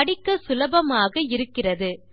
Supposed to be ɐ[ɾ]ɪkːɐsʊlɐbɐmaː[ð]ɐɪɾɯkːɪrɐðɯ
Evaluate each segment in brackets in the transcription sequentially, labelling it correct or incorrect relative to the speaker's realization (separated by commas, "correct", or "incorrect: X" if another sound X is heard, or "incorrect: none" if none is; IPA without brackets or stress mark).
incorrect: ɽ, incorrect: ɣ